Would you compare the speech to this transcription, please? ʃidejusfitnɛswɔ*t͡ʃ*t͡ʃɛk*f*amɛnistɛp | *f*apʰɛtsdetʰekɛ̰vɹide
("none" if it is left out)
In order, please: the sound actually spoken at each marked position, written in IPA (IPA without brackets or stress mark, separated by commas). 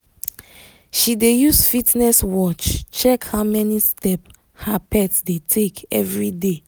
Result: t͡ʃ, h, h